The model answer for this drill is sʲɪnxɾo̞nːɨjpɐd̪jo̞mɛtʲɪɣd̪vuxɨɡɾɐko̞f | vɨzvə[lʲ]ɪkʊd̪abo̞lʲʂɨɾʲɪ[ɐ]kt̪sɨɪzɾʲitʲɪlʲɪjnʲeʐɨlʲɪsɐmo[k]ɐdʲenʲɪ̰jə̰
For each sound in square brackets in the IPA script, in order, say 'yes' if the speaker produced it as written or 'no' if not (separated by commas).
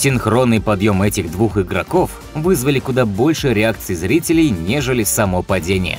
yes, no, no